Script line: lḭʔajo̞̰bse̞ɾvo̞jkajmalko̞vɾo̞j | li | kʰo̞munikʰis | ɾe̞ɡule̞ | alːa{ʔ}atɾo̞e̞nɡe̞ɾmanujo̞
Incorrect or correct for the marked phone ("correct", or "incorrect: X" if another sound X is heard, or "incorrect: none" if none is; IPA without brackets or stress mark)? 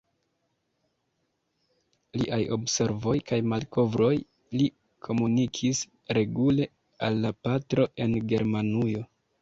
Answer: incorrect: p